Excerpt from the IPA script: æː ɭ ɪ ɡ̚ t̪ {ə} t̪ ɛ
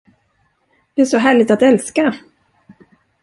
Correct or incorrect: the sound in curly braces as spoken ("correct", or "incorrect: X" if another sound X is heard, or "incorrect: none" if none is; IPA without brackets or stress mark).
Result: incorrect: a